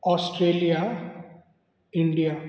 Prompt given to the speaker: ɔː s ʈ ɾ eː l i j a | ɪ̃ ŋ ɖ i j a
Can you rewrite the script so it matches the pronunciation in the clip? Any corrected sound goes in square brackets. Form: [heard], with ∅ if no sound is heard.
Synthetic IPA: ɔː s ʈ ɾ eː l i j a | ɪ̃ [ɳ] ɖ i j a